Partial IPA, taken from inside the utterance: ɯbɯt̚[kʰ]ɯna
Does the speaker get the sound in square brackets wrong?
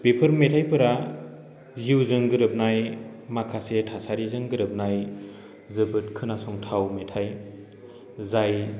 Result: no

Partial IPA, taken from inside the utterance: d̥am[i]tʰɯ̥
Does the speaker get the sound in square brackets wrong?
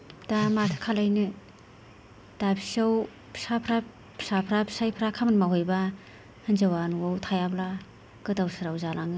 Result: yes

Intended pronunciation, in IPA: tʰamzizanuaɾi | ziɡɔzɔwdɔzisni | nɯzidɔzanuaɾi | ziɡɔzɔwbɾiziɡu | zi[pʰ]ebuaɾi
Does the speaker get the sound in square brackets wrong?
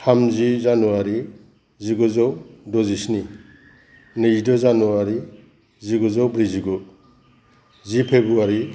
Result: no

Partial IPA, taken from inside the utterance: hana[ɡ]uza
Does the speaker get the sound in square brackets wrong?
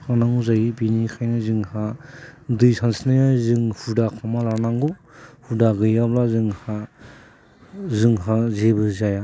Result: yes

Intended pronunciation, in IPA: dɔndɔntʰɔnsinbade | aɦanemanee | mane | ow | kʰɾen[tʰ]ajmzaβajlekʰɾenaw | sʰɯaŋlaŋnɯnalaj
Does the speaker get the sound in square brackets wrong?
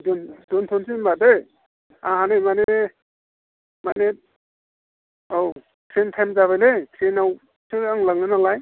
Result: no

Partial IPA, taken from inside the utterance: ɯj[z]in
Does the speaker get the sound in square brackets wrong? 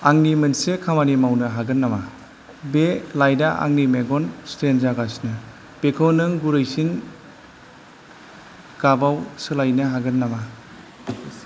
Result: yes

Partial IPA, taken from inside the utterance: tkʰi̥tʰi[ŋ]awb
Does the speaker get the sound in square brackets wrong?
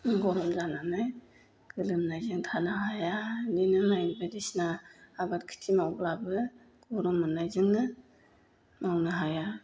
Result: yes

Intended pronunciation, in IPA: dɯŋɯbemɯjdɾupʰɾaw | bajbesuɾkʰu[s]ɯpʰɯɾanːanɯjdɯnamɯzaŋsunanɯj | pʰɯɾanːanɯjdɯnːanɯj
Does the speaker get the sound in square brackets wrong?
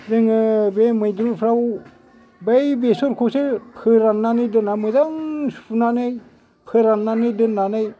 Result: no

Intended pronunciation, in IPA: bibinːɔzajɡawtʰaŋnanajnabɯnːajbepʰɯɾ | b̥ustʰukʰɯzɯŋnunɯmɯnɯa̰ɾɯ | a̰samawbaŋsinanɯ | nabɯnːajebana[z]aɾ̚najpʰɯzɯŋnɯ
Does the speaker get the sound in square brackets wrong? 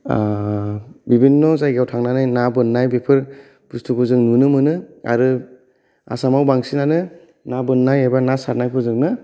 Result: yes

